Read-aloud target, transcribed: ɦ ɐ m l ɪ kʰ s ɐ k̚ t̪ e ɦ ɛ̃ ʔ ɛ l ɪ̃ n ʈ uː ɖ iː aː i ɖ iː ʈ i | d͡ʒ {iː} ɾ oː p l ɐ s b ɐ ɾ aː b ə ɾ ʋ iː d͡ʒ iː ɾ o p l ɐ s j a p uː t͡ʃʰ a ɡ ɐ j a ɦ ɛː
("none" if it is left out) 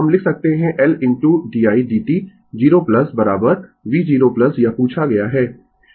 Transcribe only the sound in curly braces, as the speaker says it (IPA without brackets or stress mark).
iː